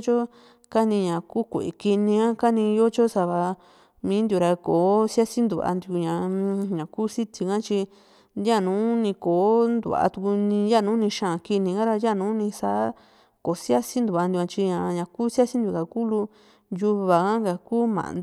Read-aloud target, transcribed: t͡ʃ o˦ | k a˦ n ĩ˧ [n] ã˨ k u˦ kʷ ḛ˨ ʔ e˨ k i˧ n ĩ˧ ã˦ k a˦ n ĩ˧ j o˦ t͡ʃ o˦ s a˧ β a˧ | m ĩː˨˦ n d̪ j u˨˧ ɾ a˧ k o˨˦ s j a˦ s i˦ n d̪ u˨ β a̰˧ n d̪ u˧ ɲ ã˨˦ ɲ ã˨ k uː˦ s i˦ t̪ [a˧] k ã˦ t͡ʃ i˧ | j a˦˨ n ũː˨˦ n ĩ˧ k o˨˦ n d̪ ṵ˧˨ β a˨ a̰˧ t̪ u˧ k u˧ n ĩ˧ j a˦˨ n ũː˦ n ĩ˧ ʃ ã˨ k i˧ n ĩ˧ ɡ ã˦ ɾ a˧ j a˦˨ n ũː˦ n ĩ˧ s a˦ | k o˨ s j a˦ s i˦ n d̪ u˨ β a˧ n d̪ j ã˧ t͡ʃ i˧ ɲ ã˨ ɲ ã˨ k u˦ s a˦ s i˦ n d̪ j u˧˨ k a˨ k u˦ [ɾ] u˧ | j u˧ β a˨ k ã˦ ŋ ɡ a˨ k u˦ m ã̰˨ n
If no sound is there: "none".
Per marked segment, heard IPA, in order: ɲ, i˧, l

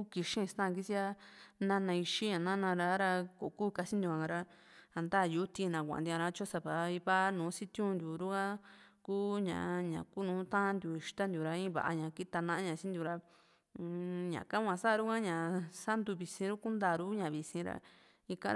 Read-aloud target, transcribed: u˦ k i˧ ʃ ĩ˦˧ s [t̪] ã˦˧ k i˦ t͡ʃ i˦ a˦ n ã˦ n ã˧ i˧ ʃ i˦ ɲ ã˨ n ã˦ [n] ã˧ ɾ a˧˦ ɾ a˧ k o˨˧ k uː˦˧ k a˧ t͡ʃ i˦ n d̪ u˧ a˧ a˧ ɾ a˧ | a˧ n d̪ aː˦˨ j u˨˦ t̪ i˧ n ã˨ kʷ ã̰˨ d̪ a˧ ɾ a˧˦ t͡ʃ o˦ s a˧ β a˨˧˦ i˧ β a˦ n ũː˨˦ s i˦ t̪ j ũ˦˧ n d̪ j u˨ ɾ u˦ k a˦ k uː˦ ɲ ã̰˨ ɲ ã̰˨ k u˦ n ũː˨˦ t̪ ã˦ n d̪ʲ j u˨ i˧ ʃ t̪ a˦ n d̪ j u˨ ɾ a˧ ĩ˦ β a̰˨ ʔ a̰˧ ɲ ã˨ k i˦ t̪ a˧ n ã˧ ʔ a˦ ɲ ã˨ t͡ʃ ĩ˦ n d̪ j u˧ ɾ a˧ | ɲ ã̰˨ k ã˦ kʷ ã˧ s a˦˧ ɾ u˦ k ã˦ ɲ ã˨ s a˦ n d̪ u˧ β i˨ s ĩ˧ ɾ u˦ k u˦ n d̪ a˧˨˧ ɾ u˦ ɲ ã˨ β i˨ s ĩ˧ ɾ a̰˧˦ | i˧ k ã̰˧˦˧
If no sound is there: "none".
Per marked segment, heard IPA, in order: t̪, n

